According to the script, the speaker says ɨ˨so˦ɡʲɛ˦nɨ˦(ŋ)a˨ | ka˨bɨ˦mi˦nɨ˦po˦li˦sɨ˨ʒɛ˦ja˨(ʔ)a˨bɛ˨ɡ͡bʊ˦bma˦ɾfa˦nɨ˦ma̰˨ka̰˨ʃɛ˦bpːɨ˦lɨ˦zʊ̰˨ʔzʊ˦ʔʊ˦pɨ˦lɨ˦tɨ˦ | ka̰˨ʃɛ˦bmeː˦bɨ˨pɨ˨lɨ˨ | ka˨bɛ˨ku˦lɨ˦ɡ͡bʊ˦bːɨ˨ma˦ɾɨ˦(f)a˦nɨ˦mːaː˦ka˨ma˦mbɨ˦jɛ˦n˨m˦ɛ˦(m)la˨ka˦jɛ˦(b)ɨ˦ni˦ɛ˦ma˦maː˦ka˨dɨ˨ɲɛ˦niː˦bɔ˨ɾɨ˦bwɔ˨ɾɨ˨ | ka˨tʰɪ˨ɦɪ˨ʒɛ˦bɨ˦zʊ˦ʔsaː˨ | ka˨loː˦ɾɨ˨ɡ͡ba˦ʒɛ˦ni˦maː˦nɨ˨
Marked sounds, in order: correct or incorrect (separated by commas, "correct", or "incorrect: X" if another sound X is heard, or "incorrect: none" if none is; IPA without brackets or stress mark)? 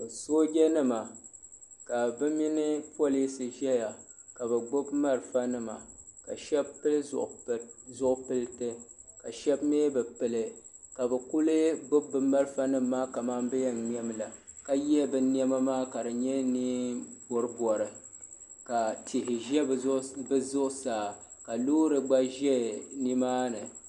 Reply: incorrect: m, incorrect: k, correct, correct, correct